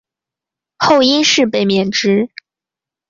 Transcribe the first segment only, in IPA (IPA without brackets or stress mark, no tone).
x